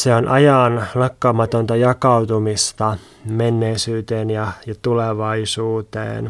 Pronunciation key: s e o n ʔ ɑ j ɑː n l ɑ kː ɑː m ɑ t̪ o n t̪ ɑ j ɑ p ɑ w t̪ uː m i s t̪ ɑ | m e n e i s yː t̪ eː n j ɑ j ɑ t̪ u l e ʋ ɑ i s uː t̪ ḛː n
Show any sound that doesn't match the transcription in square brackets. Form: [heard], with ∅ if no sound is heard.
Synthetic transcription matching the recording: s e o n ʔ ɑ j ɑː n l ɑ kː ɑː m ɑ t̪ o n t̪ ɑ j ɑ [k] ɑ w t̪ [u] m i s t̪ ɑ | m e [nː] e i s yː t̪ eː n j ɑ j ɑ t̪ u l e ʋ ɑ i s uː t̪ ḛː n